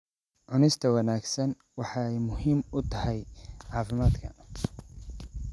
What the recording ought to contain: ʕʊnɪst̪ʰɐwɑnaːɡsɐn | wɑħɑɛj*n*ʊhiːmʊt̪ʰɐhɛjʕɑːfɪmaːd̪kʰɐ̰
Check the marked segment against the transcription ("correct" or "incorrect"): incorrect